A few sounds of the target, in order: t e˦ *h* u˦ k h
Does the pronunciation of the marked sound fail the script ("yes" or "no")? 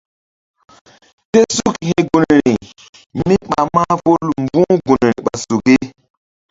yes